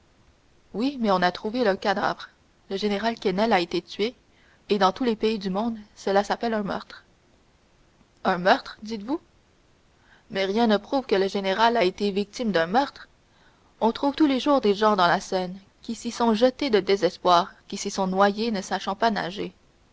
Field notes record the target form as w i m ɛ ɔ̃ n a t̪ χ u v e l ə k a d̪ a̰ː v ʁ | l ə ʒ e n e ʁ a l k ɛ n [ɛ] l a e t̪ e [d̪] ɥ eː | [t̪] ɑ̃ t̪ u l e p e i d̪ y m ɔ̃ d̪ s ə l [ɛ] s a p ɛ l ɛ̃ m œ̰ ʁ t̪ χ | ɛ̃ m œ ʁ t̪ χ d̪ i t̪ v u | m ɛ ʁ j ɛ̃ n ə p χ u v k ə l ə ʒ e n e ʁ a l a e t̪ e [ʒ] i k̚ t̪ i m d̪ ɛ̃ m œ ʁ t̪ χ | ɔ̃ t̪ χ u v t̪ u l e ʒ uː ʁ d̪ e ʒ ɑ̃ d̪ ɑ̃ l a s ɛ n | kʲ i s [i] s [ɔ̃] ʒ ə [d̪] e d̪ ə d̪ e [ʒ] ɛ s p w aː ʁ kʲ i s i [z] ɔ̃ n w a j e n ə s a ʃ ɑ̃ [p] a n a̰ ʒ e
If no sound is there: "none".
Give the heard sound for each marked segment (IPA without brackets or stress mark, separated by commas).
ɛ, t̪, d̪, a, v, i, ɔ̃, t̪, z, s, p